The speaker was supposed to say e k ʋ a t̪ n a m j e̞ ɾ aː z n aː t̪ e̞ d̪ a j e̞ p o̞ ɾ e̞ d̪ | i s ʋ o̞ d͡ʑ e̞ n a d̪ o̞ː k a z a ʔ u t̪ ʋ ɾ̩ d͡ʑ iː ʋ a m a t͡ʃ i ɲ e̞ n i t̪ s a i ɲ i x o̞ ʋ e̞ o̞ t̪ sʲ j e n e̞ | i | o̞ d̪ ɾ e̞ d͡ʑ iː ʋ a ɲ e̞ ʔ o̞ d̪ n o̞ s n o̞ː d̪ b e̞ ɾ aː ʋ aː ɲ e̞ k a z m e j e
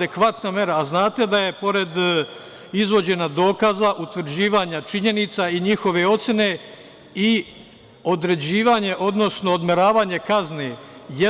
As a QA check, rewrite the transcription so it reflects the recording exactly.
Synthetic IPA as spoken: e k ʋ a t̪ n a m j e̞ ɾ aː z n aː t̪ e̞ d̪ a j e̞ p o̞ ɾ e̞ d̪ | i z ʋ o̞ d͡ʑ e̞ n a d̪ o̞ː k a z a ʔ u t̪ ʋ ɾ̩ d͡ʑ iː ʋ a ɲ a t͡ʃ i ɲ e̞ n i t̪ s a i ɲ i x o̞ ʋ e̞ o̞ t̪ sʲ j e n e̞ | i | o̞ d̪ ɾ e̞ d͡ʑ iː ʋ a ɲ e̞ ʔ o̞ d̪ n o̞ s n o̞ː d̪ m e̞ ɾ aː ʋ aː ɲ e̞ k a z n e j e